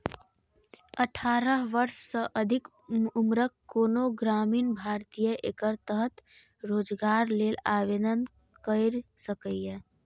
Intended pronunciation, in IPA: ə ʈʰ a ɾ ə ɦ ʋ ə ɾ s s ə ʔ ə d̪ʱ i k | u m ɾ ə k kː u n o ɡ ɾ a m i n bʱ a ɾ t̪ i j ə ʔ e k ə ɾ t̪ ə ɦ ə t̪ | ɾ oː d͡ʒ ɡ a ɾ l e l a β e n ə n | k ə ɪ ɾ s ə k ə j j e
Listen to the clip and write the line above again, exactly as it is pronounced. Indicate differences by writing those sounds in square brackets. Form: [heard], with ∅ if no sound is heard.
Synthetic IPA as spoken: ə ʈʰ a ɾ ə ɦ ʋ ə ɾ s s ə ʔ ə d̪ʱ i k | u m ɾ ə k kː [o] n o ɡ ɾ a m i n bʱ a ɾ t̪ i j ə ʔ e k ə ɾ t̪ ə ɦ ə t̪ | ɾ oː d͡ʒ ɡ a ɾ l e l a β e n ə n | k ə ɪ ɾ s ə k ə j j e